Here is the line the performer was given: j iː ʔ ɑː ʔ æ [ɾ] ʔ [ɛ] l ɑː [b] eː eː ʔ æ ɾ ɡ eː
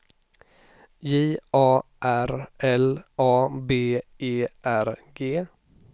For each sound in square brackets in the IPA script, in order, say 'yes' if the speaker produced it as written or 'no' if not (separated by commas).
yes, yes, yes